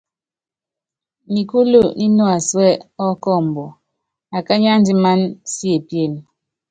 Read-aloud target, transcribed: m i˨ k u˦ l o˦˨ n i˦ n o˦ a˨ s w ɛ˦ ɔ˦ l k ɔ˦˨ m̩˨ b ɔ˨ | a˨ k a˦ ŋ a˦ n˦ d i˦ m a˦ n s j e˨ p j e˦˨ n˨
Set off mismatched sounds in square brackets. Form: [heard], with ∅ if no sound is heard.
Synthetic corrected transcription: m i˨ k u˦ l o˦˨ n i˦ n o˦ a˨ s w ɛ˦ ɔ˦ [∅] k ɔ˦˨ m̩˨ b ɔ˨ | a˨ k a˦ [ɲ] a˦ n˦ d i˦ m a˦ n s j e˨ p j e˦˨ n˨

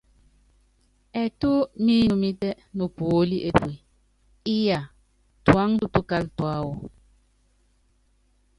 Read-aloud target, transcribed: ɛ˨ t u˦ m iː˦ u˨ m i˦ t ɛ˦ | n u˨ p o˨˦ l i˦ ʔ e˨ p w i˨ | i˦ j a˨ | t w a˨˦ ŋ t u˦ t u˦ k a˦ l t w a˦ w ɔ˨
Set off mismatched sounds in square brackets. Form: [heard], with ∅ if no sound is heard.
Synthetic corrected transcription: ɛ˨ t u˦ m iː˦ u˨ m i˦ t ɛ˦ | n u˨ p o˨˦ l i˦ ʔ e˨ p w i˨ | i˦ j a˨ | t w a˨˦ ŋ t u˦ t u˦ k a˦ l t w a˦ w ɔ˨

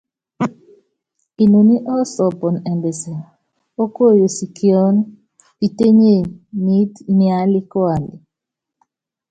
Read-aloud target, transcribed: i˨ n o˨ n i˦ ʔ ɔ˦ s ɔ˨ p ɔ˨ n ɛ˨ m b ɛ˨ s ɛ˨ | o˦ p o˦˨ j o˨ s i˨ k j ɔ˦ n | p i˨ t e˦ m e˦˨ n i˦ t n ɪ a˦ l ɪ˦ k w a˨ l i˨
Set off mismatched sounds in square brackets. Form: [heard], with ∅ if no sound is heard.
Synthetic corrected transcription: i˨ n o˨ n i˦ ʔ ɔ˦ s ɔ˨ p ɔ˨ n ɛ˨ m b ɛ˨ s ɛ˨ | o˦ [k] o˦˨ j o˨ s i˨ k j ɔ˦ n | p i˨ t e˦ [ɲ] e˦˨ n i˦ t n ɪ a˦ l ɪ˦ k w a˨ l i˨

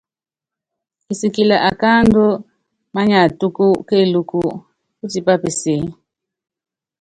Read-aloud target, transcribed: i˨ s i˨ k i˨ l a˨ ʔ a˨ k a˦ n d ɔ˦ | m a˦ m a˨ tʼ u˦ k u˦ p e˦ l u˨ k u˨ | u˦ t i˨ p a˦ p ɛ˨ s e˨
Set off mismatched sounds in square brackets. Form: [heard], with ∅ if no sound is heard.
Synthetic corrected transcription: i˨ s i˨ k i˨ l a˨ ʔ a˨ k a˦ n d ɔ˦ | m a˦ [ɲ] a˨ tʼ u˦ k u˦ [k] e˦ l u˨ k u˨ | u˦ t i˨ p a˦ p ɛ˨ s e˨

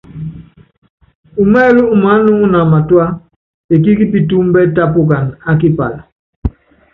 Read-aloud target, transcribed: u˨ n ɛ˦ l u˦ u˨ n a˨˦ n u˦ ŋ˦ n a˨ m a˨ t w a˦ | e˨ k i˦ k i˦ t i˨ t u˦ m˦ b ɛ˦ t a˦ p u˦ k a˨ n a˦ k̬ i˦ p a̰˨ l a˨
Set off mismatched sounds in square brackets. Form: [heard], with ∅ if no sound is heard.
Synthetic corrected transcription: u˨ [m] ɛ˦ l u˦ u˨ [m] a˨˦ n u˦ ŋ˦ n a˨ m a˨ t w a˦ | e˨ k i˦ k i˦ [p] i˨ t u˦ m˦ b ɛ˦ t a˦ p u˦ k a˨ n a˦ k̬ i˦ p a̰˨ l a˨

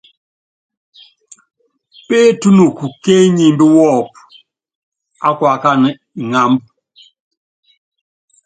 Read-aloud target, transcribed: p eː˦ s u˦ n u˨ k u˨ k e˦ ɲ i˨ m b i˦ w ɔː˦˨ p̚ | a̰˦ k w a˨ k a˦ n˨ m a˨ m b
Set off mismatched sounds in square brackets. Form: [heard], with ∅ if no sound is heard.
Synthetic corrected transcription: p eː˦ [t] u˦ n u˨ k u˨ k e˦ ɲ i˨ m b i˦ w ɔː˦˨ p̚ | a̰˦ k w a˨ k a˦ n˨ [ŋ] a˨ m b

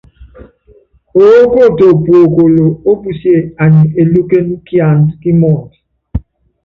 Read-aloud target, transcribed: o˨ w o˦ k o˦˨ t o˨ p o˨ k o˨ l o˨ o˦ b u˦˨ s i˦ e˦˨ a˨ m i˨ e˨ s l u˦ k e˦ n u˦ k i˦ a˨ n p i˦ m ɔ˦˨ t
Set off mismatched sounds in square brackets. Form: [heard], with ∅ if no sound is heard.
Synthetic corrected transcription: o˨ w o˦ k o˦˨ t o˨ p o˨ k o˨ l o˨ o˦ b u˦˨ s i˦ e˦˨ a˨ [ɲ] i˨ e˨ [∅] l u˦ k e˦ n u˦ k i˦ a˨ n [k] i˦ m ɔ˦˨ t

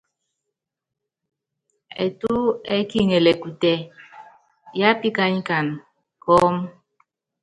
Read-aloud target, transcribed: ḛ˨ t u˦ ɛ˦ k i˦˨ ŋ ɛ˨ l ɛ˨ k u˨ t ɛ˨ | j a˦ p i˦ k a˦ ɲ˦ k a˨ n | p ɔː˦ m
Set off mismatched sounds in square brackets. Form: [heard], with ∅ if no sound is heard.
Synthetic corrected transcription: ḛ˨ t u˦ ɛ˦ k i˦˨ ŋ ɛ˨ l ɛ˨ k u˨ t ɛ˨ | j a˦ p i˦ k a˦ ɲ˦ k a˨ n | [k] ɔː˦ m

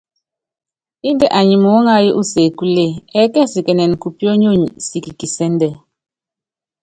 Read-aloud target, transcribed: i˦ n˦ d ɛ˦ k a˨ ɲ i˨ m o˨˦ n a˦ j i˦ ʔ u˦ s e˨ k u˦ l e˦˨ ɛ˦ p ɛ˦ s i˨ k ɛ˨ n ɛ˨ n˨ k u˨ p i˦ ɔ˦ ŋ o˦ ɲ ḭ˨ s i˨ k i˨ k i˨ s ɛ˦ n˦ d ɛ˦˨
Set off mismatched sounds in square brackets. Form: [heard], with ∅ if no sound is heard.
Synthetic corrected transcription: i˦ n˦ d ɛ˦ [ʔ] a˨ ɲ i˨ m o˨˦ [ŋ] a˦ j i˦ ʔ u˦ s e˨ k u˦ l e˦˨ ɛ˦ [k] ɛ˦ s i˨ k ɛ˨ n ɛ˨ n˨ k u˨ p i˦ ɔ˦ [ɲ] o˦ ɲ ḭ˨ s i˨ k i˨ k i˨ s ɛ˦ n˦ d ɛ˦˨

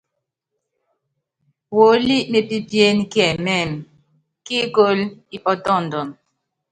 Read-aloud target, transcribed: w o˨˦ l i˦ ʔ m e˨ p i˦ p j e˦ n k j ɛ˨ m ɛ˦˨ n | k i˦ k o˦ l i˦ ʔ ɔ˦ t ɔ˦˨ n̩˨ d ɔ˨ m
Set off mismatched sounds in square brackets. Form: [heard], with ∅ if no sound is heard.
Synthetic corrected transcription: w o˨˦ l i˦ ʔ m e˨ p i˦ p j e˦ n k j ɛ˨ m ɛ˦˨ [m] | k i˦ k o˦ l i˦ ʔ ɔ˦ t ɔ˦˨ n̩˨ d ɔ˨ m

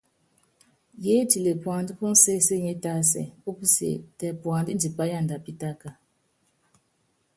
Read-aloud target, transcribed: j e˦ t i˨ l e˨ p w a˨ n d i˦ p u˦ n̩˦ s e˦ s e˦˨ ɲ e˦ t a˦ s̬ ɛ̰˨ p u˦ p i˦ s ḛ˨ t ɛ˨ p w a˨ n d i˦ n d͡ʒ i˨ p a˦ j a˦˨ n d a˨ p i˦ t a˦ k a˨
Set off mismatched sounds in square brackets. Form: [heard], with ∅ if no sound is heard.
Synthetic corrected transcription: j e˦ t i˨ l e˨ p w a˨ n d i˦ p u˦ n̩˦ s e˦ s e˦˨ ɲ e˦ t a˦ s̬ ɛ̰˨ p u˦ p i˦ s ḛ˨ t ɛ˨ p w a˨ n d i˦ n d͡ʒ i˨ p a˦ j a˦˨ n d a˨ p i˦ t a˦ k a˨

